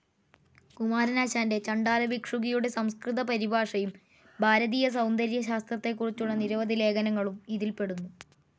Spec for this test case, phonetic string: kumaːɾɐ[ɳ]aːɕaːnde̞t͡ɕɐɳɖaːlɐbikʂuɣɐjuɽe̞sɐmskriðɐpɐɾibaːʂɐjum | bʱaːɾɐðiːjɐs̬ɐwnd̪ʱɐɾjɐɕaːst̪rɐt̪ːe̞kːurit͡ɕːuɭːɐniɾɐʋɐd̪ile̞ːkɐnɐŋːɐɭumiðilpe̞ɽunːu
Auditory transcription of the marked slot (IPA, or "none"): n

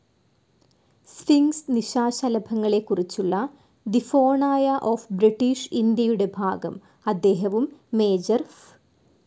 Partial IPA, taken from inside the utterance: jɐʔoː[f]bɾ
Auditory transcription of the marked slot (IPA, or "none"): f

